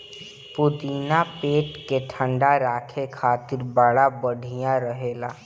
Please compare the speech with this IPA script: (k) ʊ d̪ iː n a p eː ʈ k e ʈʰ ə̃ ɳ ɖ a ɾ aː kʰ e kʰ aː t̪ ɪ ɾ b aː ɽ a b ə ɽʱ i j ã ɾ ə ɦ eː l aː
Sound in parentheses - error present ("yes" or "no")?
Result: yes